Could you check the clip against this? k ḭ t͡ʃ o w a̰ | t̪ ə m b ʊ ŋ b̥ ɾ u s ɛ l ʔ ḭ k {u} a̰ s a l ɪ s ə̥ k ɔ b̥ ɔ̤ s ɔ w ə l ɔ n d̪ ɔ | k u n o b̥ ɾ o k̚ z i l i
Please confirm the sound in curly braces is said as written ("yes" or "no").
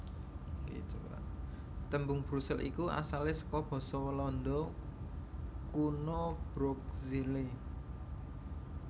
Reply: yes